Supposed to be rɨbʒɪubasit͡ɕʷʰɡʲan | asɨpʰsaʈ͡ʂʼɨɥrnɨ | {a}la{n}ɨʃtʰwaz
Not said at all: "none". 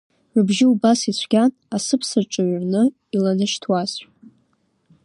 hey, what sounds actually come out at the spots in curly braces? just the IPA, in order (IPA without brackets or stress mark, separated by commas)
i, n